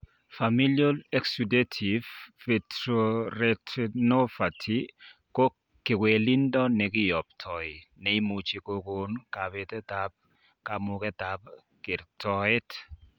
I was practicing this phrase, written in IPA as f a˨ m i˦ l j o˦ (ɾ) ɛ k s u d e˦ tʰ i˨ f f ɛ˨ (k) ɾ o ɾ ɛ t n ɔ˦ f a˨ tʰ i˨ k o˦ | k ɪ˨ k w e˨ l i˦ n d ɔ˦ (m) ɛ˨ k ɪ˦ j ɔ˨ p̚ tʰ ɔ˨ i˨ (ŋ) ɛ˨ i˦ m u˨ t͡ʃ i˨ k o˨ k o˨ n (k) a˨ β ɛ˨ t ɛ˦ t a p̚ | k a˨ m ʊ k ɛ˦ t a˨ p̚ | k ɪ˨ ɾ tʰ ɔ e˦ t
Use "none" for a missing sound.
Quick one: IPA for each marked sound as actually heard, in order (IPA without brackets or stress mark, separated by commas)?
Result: l, t, n, n, k